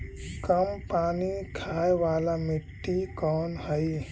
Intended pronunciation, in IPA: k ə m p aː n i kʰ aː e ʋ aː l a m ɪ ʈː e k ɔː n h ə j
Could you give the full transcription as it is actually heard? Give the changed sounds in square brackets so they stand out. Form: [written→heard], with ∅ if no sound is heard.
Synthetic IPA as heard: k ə m p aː n i kʰ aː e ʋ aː l a m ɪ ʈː [e→i] k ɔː n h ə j